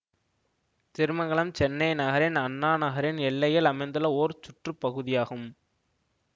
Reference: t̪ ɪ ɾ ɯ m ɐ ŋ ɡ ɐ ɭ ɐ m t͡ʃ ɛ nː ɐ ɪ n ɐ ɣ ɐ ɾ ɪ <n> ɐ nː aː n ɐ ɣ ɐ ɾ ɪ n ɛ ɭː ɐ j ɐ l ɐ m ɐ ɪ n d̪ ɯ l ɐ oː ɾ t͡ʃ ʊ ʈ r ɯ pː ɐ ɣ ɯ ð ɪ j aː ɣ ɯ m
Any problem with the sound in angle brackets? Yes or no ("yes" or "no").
no